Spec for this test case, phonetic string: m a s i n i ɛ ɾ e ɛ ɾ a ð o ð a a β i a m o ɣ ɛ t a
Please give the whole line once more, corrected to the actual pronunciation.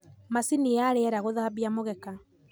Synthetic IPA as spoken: m a s i n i a ɾ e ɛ ɾ a ɣ o ð a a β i a m o ɣ ɛ k a